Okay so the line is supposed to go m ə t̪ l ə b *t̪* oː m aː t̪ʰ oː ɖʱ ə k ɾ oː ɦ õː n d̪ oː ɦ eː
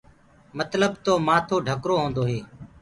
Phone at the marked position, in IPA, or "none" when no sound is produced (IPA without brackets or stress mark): t̪